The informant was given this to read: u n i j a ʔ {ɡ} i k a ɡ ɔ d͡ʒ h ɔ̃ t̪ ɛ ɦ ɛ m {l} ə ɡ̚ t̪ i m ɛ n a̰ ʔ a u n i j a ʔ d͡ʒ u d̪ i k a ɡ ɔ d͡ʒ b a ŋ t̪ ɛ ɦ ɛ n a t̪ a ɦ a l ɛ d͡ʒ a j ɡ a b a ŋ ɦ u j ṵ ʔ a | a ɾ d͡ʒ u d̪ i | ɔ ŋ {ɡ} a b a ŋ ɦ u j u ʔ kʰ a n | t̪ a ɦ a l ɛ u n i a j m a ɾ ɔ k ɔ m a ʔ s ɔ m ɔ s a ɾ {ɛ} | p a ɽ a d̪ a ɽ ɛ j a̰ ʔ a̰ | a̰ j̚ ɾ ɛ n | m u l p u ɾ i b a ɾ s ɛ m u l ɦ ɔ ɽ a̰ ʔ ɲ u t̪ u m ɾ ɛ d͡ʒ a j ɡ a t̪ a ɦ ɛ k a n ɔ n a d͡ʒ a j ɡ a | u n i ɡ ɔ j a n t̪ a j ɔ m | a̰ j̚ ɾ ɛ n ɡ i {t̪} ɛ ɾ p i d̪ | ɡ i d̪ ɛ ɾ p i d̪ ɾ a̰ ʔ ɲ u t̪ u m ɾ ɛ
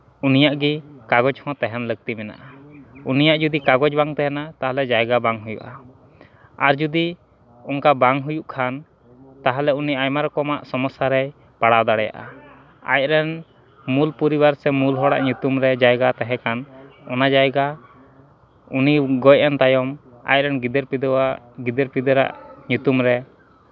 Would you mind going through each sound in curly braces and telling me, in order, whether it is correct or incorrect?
correct, correct, incorrect: k, correct, incorrect: d̪

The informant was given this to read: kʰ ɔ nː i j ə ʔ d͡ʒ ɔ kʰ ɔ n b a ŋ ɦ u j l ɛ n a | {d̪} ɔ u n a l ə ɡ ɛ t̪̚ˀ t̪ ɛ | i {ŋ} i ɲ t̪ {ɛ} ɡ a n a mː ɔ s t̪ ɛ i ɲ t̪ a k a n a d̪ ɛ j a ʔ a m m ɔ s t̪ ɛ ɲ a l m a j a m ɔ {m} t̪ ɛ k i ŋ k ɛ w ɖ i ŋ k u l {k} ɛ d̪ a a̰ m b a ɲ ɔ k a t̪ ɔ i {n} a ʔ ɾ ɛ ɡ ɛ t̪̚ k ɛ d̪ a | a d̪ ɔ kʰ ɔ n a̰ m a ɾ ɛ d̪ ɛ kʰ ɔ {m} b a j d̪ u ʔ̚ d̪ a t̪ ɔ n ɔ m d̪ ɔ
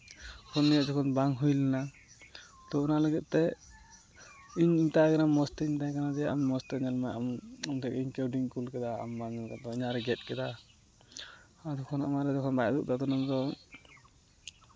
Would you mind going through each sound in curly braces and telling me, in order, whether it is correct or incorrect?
incorrect: t̪, incorrect: ɲ, incorrect: a, correct, correct, incorrect: ɲ, incorrect: n

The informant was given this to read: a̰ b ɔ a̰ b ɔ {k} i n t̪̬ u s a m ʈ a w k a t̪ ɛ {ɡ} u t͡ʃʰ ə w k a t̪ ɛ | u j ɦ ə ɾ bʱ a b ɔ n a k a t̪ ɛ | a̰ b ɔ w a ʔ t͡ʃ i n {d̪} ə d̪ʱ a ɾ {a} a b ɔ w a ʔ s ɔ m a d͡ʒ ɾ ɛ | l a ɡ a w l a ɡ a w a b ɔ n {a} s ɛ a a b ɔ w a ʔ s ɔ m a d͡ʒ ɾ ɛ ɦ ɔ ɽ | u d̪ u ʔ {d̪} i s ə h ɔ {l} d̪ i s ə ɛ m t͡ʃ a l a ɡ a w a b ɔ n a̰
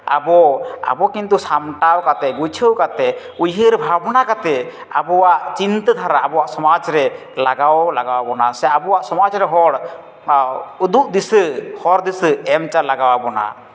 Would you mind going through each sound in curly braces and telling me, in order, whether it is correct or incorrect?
correct, correct, incorrect: t̪, correct, correct, correct, incorrect: ɾ

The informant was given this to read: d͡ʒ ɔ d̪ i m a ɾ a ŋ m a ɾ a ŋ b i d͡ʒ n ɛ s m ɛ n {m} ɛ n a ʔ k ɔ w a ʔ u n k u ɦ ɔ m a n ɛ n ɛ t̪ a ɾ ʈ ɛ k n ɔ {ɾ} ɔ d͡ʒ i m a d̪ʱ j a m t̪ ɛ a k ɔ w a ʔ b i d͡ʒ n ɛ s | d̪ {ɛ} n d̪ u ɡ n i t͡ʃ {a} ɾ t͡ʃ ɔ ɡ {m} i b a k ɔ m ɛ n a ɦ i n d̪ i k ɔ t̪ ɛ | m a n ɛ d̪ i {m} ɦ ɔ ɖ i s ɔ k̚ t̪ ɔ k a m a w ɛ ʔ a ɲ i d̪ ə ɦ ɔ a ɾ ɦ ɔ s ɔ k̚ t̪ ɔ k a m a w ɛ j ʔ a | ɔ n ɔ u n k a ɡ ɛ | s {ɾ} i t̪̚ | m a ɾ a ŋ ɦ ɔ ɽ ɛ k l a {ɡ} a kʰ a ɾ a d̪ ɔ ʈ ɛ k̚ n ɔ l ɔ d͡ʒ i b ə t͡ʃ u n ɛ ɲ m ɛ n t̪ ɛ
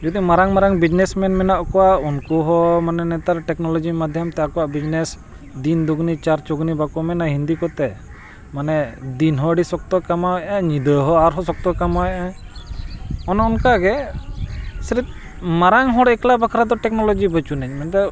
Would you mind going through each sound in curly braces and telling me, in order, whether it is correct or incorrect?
correct, incorrect: l, incorrect: i, correct, incorrect: n, incorrect: n, correct, incorrect: b

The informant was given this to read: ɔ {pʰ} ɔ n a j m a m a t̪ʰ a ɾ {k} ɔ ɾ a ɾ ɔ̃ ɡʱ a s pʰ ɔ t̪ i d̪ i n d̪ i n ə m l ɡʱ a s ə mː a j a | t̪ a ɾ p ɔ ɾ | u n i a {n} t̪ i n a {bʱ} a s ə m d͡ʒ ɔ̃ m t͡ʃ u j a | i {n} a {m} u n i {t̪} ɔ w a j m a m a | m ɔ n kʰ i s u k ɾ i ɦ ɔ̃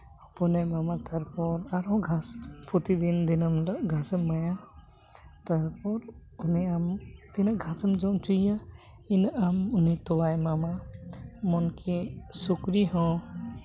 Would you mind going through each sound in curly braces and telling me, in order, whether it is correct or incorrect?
incorrect: p, incorrect: p, incorrect: m, incorrect: ɡʱ, correct, correct, correct

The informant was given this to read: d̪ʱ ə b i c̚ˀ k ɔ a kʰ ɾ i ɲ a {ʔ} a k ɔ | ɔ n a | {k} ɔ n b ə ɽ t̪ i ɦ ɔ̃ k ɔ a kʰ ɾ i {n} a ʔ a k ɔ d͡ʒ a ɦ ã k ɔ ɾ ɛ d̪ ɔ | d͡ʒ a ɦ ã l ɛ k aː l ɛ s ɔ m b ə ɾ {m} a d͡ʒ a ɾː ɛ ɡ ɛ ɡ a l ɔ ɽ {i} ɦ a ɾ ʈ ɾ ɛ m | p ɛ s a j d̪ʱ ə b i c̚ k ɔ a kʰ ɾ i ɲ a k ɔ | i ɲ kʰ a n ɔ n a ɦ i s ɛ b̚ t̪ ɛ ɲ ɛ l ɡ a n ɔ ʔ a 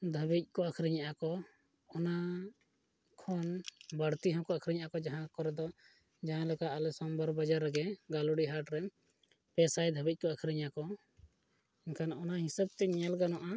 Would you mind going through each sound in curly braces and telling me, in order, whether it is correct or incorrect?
correct, incorrect: kʰ, incorrect: ɲ, incorrect: b, correct

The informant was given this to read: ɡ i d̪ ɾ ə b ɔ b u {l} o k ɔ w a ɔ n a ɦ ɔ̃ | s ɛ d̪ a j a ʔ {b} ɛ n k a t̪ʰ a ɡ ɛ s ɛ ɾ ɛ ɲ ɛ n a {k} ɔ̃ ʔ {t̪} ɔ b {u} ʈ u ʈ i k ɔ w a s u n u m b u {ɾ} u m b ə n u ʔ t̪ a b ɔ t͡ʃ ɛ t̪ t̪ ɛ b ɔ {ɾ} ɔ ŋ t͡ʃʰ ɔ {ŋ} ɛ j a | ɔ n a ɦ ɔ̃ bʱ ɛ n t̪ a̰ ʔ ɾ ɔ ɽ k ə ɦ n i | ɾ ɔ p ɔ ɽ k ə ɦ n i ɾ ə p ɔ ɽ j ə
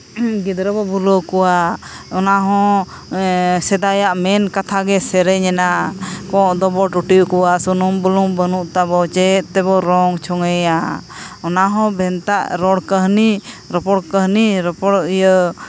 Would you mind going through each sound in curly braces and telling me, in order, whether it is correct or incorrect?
correct, incorrect: m, correct, incorrect: d̪, incorrect: ɔ, incorrect: l, correct, correct

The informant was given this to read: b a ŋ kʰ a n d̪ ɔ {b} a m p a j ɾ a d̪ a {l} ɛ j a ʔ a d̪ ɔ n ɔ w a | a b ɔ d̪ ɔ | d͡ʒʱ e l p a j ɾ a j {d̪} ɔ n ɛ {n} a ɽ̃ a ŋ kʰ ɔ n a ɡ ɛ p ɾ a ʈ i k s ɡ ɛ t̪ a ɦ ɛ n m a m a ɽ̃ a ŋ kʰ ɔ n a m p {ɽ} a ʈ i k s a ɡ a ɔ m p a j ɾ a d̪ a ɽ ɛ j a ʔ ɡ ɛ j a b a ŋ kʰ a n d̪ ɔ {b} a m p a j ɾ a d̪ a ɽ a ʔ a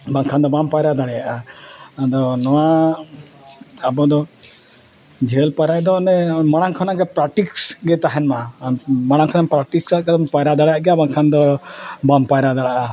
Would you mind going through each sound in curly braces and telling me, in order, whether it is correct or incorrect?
correct, incorrect: ɽ, correct, incorrect: m, incorrect: ɾ, correct

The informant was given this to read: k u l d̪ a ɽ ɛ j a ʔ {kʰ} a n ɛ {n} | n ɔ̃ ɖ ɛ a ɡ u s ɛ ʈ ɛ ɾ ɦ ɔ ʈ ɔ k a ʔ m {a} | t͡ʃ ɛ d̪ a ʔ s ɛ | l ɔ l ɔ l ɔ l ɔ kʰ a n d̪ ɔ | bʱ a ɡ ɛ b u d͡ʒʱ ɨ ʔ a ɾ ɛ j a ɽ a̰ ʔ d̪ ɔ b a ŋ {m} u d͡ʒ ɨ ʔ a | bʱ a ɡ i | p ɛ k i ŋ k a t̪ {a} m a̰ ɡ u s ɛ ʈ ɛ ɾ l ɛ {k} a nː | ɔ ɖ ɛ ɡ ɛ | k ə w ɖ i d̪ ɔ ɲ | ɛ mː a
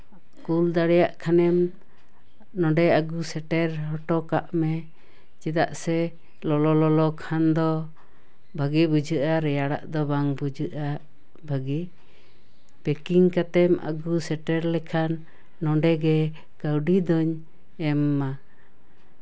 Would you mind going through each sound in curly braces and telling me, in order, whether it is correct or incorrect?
correct, incorrect: m, incorrect: ɛ, incorrect: b, incorrect: ɛ, incorrect: kʰ

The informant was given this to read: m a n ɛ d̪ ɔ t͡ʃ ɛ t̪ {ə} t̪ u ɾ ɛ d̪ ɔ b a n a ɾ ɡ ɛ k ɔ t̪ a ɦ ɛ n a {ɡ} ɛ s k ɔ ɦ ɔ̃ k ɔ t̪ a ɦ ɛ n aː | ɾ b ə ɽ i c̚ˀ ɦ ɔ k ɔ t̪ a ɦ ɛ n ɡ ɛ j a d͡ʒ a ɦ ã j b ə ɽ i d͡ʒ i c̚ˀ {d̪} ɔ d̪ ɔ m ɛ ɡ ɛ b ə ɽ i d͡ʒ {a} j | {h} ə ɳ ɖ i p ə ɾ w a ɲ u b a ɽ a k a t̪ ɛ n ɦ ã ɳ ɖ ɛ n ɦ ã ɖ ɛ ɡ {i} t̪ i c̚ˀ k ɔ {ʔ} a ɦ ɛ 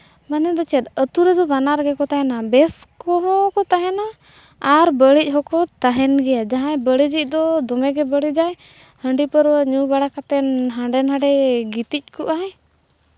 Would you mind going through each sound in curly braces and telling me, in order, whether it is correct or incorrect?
correct, incorrect: b, correct, correct, correct, correct, correct

